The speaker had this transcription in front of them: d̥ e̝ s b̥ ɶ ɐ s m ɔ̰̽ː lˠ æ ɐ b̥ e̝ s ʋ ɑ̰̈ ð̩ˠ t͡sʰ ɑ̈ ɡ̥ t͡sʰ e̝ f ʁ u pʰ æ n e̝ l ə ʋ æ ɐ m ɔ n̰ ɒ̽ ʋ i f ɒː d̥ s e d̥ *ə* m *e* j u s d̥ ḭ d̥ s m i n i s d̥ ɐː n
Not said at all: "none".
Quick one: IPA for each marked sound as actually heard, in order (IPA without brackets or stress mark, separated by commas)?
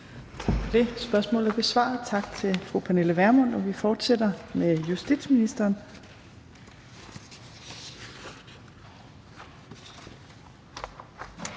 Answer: ɐ, e